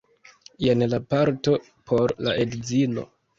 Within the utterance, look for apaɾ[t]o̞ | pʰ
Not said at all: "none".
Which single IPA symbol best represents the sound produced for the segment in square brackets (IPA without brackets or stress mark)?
t